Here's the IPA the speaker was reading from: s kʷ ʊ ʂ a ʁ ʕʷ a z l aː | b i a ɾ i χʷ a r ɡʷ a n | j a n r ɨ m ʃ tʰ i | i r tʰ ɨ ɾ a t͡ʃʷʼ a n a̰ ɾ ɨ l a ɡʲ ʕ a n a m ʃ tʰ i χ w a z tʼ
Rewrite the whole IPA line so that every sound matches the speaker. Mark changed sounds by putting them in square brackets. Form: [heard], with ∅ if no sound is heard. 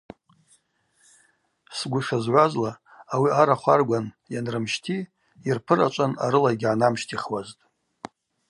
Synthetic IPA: s [ɡʷ] ʊ ʂ a [z] ʕʷ a z l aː | [w] i a ɾ [a] χʷ a r ɡʷ a n | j a n r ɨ m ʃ tʰ i | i r [pʰ] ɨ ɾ a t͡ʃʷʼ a n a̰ ɾ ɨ l a ɡʲ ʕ a n a m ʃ tʰ i χ w a z tʼ